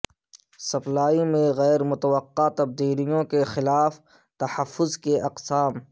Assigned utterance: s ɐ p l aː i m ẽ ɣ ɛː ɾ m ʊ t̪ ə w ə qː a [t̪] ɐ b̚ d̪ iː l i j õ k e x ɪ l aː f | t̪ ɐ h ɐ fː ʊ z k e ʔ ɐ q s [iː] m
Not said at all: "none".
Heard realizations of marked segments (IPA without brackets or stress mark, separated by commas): t̪, aː